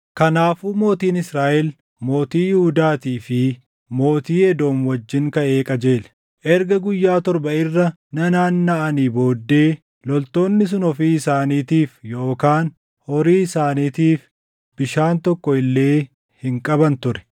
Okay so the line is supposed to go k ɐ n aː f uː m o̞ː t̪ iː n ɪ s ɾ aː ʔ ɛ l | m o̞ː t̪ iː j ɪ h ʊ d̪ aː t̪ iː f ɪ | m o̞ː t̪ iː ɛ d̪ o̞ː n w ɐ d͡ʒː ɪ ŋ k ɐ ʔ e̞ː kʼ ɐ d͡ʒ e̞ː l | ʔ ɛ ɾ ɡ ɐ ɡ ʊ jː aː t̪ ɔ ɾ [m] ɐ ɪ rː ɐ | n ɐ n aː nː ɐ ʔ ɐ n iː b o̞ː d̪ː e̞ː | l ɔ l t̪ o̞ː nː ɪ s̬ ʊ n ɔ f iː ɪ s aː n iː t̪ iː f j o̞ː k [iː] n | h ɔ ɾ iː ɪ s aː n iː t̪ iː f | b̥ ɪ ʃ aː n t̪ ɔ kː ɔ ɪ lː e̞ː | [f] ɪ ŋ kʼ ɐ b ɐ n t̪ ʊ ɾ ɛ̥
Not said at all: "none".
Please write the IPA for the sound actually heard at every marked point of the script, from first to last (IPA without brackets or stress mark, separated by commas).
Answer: b, aː, h